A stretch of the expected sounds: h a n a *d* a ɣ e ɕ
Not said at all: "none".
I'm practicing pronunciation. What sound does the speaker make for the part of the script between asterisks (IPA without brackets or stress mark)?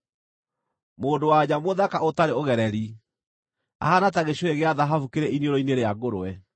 t